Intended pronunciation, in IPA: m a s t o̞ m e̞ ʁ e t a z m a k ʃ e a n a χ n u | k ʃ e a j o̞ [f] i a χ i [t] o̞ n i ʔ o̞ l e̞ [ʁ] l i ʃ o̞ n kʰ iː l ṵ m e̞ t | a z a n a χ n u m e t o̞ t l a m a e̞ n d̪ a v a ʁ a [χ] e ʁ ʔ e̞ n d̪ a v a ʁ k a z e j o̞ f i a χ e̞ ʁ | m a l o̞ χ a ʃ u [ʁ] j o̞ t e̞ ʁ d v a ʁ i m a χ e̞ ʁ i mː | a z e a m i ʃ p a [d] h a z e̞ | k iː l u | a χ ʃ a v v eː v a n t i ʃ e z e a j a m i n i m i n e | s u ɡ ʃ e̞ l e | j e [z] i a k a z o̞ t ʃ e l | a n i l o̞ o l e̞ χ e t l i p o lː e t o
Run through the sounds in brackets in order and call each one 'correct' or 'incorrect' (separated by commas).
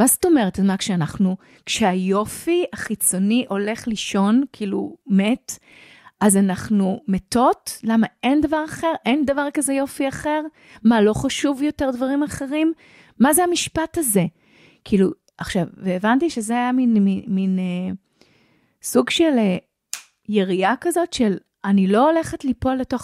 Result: correct, incorrect, incorrect, correct, incorrect, incorrect, incorrect